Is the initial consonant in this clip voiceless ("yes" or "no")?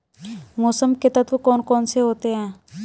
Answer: no